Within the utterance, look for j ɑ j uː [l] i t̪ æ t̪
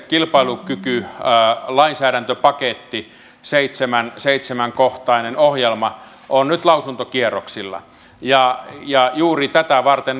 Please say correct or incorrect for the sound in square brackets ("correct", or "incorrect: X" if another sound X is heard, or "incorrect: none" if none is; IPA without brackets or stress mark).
incorrect: r